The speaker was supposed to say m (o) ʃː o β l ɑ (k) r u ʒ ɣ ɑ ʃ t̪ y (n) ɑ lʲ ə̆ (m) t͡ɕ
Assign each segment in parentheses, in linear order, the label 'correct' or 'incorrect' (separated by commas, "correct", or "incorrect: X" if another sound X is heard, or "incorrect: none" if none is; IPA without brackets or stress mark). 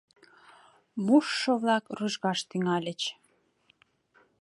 incorrect: u, correct, incorrect: ŋ, incorrect: none